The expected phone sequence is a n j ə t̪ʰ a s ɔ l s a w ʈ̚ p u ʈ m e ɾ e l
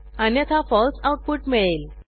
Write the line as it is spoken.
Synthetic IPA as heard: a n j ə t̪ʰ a f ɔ l s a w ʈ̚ p u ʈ m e ɭ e l